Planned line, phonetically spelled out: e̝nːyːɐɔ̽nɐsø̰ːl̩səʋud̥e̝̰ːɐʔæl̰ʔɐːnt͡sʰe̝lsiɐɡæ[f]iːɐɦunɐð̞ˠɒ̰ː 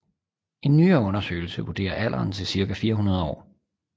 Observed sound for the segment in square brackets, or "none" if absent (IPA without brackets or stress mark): f